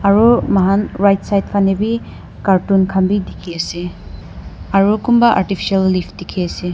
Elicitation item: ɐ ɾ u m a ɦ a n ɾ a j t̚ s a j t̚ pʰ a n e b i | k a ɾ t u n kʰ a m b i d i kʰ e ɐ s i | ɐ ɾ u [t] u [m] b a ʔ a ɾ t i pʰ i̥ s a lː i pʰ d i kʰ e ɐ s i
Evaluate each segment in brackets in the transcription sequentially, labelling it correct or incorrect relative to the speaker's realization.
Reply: incorrect, correct

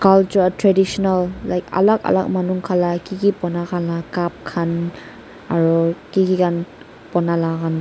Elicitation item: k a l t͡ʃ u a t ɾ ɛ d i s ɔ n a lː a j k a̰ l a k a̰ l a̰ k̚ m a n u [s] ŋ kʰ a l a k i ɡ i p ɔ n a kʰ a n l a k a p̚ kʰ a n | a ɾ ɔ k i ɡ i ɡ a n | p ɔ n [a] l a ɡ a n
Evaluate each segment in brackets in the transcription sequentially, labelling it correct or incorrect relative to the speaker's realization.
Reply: incorrect, correct

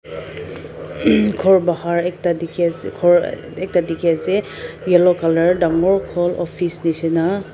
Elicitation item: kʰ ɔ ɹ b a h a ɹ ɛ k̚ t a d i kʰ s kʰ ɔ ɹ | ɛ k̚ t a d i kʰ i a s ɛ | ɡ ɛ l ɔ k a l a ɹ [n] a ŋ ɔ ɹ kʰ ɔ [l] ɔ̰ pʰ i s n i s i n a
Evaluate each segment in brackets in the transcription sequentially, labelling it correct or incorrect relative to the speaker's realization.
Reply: incorrect, correct

